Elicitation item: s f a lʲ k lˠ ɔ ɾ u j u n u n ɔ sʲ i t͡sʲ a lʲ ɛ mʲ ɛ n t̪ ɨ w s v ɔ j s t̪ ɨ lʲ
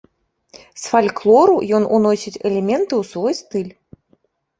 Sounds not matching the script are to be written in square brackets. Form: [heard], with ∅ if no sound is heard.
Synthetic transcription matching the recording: s f a lʲ k lˠ ɔ ɾ u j [ɔ] n u n ɔ sʲ i t͡sʲ [ɛ] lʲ ɛ mʲ ɛ n t̪ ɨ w s v ɔ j s t̪ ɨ lʲ